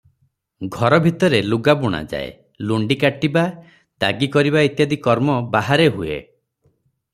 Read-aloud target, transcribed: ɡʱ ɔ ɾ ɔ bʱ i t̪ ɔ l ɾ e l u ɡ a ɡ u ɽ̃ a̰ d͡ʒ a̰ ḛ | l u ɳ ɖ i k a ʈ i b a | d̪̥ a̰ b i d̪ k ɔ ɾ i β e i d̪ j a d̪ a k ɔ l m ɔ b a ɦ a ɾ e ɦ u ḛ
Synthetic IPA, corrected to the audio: ɡʱ ɔ ɾ ɔ bʱ i t̪ ɔ ɾ e l u ɡ a b u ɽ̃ a̰ d͡ʒ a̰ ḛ | l u ɳ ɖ i k a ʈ i b a | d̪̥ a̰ ɡ i k ɔ ɾ i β a i t̪ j a d̪ i k ɔ ɾ m ɔ b a ɦ a ɾ e ɦ u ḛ